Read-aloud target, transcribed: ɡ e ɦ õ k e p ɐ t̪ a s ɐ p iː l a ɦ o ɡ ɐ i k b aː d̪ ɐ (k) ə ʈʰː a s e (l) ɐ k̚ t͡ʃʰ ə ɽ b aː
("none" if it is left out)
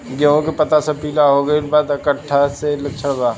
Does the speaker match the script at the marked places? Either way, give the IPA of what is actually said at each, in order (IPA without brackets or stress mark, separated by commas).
k, l